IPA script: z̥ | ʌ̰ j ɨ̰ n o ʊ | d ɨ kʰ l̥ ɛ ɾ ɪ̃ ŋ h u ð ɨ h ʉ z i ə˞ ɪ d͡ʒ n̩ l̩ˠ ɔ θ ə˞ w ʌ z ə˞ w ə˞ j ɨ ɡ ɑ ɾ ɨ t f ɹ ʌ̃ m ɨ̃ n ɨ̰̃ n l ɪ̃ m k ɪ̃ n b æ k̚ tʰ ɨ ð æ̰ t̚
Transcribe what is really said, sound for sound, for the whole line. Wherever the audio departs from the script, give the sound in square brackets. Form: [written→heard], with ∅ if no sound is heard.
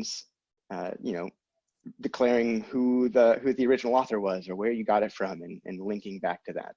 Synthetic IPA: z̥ | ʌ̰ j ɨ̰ n o ʊ | d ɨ kʰ l̥ ɛ [ɾ→ɹ] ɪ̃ ŋ h u ð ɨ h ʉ [z→ð] i ə˞ ɪ d͡ʒ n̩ l̩ˠ ɔ θ ə˞ w ʌ z ə˞ w ə˞ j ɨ ɡ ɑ ɾ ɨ t f ɹ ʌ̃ m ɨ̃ n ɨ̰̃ n l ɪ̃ [m→ŋ] k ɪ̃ [n→ŋ] b æ k̚ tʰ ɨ ð æ̰ t̚